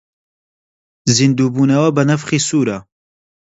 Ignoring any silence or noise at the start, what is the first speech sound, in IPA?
z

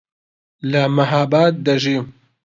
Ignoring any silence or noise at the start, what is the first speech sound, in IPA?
l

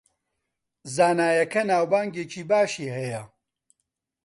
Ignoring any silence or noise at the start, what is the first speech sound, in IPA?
z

